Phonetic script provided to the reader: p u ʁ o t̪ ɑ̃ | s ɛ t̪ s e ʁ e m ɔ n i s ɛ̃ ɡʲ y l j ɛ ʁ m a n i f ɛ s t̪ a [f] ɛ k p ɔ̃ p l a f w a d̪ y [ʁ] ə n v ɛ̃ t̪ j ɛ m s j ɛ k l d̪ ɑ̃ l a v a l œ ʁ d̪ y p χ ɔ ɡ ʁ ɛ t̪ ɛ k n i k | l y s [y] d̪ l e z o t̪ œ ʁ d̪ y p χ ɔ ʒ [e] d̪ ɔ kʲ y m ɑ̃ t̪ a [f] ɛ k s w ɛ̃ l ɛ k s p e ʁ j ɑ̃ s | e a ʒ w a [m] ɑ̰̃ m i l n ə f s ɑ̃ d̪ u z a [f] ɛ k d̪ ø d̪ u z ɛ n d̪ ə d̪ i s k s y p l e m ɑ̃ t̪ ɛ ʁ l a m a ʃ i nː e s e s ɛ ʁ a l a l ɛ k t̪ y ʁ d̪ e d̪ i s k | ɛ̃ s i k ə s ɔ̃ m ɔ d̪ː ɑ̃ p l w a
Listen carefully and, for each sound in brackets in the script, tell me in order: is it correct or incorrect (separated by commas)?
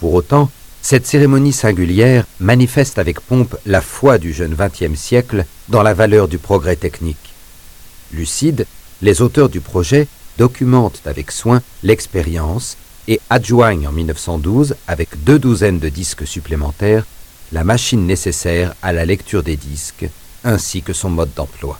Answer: incorrect, incorrect, incorrect, incorrect, incorrect, incorrect, incorrect